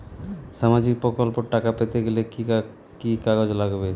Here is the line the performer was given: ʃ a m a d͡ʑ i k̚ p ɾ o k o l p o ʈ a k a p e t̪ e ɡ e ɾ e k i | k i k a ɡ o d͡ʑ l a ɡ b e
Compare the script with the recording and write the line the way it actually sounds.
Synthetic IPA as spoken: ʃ a m a d͡ʑ i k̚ p ɾ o k o l p o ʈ a k a p e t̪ e ɡ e l e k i | k i k a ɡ o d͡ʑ l a ɡ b e